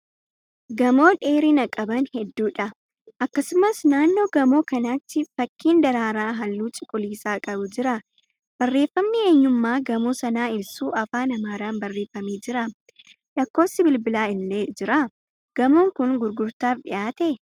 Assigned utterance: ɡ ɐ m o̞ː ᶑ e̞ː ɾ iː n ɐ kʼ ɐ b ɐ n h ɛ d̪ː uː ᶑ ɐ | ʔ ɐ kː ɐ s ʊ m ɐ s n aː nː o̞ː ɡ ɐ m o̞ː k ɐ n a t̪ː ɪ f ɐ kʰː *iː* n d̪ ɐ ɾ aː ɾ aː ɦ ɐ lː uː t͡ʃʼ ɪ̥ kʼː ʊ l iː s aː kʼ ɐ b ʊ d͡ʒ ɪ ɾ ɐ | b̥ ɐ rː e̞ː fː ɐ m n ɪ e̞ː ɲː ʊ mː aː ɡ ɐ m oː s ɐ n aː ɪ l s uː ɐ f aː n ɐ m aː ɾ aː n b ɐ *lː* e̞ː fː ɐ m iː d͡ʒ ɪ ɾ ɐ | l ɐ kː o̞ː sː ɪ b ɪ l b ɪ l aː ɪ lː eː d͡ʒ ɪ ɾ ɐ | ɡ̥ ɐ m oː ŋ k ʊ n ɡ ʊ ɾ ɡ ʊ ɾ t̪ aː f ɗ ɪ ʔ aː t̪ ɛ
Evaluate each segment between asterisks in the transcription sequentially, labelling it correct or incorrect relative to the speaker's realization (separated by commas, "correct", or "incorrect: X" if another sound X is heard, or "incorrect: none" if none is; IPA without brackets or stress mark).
correct, incorrect: rː